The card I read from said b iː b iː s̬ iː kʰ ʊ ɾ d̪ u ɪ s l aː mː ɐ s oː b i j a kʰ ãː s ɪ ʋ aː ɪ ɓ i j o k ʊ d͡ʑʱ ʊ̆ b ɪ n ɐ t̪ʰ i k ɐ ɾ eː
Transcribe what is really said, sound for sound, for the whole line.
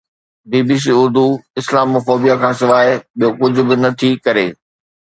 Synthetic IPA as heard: b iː b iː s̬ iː ʊ ɾ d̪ u ɪ s l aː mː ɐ f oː b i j a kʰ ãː s ɪ ʋ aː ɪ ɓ i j o k ʊ d͡ʑʱ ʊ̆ b ɪ n ɐ t̪ʰ i k ɐ ɾ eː